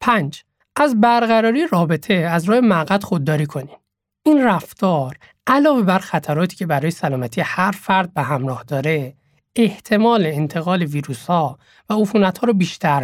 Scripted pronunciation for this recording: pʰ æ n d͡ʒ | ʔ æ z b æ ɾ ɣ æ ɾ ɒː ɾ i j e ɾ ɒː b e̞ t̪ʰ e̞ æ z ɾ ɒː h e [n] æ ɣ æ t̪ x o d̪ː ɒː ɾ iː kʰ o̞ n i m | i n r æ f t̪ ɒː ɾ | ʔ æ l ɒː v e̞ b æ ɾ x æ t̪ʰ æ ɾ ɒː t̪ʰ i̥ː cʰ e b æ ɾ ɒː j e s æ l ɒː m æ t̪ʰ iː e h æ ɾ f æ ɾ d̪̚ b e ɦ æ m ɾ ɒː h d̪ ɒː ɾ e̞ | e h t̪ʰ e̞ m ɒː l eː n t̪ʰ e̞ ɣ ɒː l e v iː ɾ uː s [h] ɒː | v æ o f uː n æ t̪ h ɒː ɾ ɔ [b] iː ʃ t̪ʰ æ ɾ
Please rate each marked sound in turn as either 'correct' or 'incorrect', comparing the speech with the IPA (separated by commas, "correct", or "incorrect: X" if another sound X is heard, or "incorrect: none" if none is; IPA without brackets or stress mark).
incorrect: m, correct, correct